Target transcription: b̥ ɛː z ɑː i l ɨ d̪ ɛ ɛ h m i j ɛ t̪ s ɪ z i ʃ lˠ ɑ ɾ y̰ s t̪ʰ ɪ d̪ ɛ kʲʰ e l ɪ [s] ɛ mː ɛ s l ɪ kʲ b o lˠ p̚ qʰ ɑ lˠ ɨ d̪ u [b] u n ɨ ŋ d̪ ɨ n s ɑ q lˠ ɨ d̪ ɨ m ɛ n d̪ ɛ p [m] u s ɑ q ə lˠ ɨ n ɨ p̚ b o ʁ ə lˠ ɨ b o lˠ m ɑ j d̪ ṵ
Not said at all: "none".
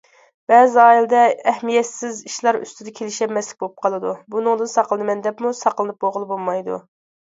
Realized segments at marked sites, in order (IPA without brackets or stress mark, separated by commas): ʃ, b, m